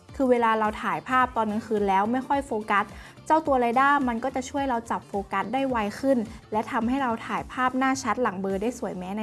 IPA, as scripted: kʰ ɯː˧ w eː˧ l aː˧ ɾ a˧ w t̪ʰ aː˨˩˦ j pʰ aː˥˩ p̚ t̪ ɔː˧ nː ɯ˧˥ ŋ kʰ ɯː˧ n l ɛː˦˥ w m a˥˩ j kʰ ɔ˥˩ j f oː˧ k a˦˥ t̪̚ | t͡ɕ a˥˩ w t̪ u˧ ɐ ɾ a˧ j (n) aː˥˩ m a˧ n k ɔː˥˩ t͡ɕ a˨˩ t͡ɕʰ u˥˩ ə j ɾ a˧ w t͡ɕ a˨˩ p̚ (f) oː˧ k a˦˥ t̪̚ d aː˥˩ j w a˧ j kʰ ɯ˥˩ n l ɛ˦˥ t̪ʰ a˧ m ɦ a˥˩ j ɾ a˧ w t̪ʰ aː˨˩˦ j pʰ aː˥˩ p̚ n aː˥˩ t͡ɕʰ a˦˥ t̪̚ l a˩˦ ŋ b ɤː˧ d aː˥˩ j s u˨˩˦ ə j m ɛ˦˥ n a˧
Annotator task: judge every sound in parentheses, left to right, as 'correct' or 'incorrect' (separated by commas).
incorrect, correct